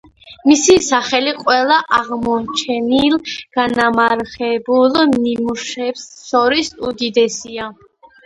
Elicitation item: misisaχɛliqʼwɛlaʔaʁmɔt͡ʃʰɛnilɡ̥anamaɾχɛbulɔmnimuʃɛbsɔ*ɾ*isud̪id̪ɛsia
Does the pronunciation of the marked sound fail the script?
no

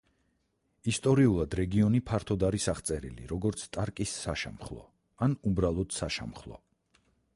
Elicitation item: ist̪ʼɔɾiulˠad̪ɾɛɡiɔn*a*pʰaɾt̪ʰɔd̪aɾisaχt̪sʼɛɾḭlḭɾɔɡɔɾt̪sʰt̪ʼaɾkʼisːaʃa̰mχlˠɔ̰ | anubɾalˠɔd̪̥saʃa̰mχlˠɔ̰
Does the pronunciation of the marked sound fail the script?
yes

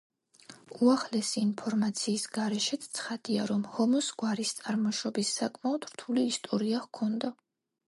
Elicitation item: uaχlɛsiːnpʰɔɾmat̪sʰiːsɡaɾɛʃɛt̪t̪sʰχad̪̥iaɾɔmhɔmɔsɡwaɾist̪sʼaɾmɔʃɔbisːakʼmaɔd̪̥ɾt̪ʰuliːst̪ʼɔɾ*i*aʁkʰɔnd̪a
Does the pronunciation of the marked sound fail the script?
no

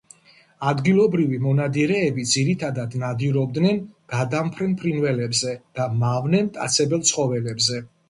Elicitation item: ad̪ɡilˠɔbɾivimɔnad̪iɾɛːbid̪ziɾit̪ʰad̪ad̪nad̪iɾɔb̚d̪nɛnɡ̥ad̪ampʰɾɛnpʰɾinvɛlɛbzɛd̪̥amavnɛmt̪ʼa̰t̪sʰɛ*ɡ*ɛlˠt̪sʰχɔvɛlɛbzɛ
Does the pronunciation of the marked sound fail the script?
yes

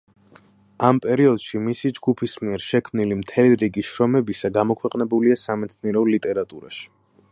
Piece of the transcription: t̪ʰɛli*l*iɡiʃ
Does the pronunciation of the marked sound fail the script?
yes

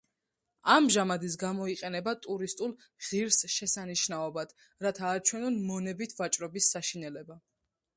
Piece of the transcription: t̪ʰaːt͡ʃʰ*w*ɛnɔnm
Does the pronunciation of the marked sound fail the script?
no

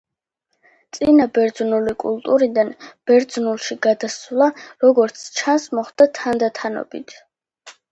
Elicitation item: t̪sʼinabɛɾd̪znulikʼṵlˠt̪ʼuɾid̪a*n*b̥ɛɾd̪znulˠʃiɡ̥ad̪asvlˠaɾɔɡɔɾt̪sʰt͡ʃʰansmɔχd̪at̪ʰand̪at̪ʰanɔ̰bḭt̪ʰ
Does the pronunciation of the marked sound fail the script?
no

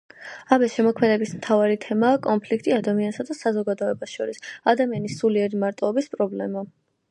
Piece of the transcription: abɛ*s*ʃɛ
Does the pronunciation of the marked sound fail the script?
no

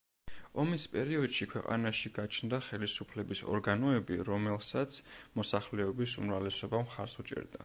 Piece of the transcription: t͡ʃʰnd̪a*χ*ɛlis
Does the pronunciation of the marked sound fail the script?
no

